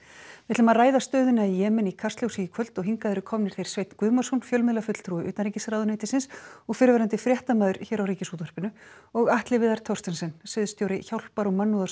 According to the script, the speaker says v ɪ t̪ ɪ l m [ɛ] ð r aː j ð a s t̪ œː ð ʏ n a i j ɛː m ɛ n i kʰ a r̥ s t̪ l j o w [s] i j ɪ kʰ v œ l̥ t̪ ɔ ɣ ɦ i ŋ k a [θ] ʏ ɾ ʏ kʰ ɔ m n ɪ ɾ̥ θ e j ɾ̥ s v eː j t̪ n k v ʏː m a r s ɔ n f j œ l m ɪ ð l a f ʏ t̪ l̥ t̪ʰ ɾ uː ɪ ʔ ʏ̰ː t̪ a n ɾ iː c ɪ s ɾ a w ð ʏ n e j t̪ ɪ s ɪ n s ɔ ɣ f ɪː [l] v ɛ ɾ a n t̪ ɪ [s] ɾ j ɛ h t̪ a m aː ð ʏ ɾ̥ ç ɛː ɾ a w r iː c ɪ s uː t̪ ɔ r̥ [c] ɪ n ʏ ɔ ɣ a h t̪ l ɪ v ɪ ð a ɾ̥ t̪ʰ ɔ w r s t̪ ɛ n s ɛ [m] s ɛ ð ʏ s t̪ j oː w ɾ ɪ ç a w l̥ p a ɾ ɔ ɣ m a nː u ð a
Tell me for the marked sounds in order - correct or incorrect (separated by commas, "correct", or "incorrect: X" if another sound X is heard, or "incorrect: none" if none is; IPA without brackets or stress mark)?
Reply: incorrect: a, correct, incorrect: ð, incorrect: ɾ, incorrect: f, incorrect: p, incorrect: n